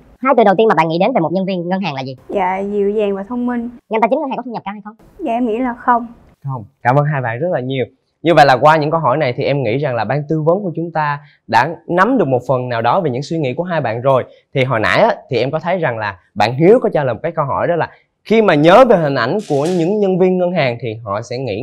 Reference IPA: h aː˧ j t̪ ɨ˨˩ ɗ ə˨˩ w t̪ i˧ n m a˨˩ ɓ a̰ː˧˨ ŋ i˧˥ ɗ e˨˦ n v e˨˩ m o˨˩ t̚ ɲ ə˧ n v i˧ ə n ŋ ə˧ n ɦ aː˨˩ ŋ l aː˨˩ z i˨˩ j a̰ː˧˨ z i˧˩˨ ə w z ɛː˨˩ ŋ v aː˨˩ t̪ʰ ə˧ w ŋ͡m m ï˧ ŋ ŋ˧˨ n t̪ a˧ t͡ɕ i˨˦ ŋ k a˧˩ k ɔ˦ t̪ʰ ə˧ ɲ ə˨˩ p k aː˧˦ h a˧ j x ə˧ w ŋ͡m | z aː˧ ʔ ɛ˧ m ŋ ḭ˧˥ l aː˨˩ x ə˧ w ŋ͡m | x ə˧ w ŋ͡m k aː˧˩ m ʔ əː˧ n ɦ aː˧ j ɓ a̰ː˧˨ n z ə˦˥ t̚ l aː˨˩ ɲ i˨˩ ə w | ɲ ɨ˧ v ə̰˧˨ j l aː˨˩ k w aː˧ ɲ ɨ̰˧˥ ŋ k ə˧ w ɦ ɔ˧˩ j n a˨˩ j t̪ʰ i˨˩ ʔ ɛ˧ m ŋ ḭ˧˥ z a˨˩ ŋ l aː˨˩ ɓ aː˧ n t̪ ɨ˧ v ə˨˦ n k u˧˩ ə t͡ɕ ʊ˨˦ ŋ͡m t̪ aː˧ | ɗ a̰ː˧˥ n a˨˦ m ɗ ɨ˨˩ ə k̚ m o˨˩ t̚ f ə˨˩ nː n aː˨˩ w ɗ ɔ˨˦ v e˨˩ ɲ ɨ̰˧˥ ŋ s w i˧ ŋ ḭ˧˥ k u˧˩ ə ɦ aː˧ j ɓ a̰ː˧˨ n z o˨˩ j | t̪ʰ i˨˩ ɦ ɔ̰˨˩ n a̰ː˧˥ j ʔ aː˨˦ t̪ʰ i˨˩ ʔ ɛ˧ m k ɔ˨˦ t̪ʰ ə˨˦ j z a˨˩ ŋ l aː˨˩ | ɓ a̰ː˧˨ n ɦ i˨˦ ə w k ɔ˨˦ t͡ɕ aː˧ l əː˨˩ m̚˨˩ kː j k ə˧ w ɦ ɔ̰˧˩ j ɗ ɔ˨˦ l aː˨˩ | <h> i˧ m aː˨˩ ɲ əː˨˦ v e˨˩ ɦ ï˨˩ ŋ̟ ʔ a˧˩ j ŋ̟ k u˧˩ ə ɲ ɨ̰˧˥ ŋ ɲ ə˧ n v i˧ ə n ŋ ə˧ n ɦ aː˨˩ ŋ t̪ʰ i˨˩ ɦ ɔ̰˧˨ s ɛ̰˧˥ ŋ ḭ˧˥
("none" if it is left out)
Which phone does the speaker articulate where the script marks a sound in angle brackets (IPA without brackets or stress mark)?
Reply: x